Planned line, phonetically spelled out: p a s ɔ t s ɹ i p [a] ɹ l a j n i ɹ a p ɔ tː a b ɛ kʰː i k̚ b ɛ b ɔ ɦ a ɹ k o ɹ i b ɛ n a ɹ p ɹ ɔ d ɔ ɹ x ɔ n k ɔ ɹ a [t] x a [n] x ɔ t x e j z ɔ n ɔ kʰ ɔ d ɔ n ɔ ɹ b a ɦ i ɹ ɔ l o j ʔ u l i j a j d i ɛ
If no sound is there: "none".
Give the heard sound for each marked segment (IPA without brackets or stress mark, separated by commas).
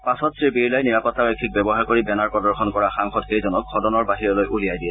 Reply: i, none, ŋ